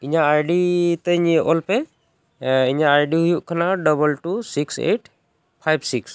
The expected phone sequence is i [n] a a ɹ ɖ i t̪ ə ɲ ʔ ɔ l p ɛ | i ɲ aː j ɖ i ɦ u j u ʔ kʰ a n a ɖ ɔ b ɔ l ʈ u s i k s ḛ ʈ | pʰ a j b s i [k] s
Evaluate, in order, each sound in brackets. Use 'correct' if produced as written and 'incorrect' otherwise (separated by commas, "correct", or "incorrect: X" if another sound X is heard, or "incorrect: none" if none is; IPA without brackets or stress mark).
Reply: incorrect: ɲ, correct